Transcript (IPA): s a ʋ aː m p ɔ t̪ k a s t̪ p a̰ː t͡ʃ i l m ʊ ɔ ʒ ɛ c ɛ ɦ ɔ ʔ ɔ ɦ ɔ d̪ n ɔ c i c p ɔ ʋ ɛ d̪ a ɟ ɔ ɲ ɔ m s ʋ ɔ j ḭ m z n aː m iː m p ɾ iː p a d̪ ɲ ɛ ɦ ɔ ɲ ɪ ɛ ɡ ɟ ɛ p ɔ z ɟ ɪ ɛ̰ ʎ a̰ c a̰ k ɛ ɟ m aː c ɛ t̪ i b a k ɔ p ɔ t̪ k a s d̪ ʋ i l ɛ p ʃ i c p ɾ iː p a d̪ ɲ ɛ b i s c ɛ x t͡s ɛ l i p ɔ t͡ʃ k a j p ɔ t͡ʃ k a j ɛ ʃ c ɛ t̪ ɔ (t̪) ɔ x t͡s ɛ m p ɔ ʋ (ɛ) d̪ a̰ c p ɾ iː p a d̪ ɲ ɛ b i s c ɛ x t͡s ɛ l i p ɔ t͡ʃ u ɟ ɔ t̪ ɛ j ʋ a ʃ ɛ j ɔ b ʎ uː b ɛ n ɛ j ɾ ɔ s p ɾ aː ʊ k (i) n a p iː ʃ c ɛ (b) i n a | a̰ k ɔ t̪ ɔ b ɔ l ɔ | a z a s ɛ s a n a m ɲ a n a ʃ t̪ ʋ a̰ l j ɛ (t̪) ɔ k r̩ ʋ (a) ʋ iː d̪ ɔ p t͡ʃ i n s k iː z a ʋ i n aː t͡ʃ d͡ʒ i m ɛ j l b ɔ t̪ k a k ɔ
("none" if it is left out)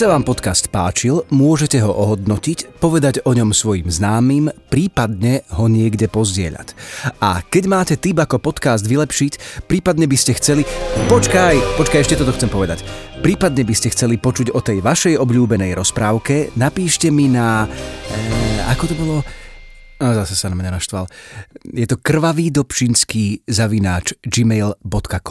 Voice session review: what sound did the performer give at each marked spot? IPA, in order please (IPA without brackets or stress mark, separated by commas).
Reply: t̪, ɛ, ɛ, m, t̪, a